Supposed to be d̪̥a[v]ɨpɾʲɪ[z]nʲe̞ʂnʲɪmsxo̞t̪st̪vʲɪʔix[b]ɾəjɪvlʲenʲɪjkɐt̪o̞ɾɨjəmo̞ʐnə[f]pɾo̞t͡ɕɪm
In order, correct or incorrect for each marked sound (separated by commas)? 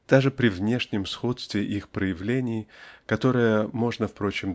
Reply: incorrect, incorrect, incorrect, correct